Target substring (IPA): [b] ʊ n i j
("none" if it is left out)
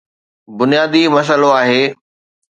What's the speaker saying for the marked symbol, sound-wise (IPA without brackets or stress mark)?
b